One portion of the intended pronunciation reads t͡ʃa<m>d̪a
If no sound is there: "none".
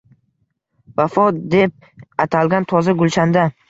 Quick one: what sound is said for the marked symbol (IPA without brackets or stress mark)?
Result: n